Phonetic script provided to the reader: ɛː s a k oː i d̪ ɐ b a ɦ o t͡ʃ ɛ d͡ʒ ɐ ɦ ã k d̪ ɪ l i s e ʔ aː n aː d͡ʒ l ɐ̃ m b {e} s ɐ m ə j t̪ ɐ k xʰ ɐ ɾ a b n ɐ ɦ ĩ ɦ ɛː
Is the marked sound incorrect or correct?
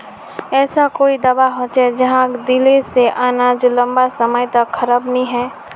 incorrect: a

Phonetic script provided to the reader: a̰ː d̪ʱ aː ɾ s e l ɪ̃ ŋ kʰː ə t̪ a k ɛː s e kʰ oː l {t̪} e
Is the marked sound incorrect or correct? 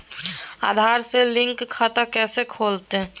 correct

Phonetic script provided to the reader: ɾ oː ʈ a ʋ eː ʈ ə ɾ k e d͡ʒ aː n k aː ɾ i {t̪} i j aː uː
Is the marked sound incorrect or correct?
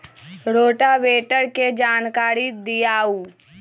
incorrect: d̪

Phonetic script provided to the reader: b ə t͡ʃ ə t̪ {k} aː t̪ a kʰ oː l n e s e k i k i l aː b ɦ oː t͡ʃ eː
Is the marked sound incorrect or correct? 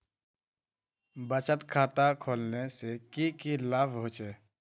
incorrect: kʰ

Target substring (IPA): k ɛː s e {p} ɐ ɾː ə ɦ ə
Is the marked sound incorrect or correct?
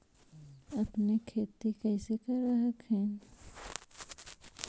incorrect: k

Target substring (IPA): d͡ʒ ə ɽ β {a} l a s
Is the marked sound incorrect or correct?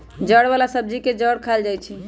correct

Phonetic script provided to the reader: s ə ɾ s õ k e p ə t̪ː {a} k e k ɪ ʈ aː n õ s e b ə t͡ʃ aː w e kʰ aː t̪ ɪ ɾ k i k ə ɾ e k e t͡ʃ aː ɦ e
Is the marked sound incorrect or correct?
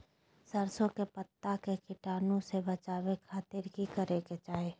correct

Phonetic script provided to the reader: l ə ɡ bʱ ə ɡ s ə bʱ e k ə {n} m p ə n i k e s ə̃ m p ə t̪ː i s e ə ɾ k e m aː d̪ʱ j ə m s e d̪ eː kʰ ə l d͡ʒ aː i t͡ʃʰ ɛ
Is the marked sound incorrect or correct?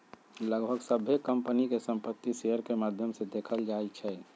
incorrect: none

